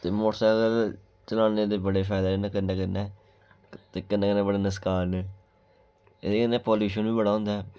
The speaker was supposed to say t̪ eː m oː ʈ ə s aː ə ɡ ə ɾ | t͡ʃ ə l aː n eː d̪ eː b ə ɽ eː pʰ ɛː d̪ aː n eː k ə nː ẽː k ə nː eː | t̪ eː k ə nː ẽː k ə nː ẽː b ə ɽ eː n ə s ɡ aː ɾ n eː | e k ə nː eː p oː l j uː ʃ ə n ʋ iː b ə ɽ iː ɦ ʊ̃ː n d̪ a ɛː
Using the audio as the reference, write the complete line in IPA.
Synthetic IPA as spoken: t̪ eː m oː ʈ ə s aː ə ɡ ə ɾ | t͡ʃ ə l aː n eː d̪ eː b ə ɽ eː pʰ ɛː d̪ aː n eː k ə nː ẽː k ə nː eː | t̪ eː k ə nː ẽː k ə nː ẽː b ə ɽ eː n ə s k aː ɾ n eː | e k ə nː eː p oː l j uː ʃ ə n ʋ iː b ə ɽ aː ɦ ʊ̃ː n d̪ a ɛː